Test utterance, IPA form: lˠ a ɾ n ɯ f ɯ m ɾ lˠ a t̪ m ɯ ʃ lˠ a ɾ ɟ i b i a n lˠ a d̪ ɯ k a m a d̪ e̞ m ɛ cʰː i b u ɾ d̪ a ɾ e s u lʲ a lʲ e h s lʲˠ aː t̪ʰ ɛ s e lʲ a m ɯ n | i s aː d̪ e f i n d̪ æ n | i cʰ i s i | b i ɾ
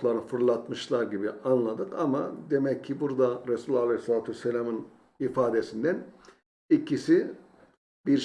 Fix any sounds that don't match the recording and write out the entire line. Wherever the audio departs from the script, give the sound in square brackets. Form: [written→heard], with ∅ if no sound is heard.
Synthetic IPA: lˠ a ɾ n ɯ f ɯ [m→∅] ɾ lˠ a t̪ m ɯ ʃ lˠ a ɾ ɟ i b i a n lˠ a d̪ ɯ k a m a d̪ e̞ m ɛ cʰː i b u ɾ d̪ a ɾ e s u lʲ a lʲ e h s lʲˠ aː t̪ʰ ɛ s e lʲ a m ɯ n | i [s→f] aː d̪ e [f→s] i n d̪ æ n | i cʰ i s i | b i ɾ